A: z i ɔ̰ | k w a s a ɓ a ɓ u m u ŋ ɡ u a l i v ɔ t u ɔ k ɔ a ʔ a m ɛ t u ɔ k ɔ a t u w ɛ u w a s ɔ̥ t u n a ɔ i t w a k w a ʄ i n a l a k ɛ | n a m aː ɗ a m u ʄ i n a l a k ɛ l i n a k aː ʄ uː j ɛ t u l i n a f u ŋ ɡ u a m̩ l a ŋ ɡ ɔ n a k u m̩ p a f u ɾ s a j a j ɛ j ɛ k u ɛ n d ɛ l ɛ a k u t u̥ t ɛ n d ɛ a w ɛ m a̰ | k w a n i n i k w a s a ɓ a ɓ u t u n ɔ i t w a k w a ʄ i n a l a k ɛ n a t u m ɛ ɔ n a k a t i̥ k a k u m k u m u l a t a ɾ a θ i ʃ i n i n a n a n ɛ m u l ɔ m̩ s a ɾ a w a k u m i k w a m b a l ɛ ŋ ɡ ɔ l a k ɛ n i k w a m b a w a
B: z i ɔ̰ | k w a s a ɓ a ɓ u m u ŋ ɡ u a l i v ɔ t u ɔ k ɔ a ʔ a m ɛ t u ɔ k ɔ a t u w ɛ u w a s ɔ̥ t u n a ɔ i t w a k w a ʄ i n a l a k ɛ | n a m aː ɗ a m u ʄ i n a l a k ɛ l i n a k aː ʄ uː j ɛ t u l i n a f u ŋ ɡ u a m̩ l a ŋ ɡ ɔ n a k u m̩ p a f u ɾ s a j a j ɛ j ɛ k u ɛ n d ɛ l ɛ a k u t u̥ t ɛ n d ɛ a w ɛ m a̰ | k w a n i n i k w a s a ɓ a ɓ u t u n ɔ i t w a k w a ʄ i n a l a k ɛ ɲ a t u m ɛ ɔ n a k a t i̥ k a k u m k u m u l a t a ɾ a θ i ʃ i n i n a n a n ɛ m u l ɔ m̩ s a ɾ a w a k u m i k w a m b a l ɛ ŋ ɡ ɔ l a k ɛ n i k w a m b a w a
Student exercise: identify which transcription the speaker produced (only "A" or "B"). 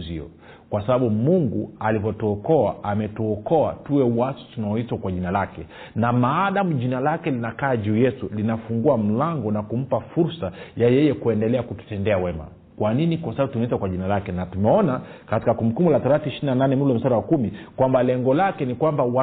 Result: A